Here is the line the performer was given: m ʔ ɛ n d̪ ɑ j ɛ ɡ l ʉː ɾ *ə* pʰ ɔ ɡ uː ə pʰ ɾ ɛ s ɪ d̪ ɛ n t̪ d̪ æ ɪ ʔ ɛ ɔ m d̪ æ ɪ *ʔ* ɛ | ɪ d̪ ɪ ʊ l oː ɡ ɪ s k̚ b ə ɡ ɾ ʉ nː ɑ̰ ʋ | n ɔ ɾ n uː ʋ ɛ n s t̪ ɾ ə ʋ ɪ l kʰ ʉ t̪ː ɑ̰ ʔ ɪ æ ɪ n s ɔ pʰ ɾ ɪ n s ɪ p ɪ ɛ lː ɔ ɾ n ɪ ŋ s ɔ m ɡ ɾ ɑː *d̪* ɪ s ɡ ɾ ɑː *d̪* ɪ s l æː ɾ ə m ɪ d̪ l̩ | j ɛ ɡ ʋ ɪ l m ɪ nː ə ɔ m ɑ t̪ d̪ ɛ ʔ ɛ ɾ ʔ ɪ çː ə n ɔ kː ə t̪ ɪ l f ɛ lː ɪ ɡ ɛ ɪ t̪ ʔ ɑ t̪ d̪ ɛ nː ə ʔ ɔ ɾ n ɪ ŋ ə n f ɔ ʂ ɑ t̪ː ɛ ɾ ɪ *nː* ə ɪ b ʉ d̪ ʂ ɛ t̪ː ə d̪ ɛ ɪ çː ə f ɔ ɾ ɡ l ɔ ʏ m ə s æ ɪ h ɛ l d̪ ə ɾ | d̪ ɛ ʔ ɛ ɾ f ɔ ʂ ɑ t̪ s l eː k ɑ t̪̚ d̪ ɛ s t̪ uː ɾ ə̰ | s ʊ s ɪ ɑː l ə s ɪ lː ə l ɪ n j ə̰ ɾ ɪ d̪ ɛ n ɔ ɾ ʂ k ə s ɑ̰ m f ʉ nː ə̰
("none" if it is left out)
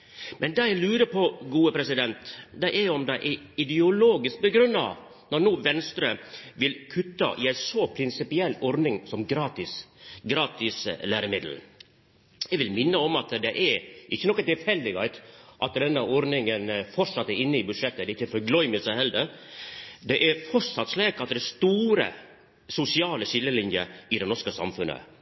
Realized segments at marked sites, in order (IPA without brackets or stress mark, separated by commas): ə, ʔ, t̪, t̪, nː